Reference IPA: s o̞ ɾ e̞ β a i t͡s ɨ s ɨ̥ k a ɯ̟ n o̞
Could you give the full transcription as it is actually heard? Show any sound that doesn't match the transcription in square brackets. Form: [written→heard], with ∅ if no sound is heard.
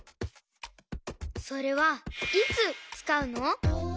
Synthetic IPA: s o̞ ɾ e̞ β a i t͡s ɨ [s→t͡s] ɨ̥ k a ɯ̟ n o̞